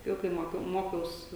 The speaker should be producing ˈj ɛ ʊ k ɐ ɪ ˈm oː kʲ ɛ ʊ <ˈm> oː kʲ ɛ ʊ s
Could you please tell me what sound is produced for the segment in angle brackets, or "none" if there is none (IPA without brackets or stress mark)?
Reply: m